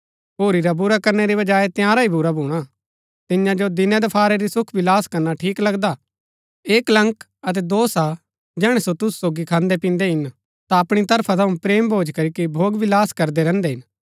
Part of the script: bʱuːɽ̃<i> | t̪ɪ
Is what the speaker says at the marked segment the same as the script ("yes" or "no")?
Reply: no